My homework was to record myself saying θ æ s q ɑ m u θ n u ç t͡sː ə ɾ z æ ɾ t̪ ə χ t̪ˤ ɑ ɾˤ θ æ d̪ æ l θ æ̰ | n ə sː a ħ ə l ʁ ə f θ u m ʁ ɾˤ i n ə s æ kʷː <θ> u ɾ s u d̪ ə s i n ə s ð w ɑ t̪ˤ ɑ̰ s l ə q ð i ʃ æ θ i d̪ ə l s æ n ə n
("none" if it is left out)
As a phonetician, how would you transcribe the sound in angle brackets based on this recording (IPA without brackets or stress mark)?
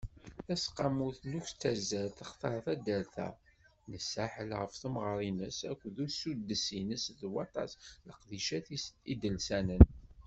ð